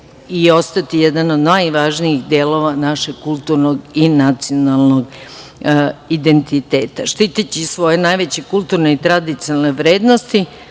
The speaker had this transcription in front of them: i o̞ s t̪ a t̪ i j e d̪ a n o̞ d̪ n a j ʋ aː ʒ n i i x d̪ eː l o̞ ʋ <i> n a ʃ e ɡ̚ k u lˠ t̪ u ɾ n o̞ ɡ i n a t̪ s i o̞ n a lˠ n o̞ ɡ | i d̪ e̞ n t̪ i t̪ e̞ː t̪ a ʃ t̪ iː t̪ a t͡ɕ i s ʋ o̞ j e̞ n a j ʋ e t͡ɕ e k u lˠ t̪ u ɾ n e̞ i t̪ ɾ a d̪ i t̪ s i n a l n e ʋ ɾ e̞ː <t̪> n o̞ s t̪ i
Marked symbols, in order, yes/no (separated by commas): no, no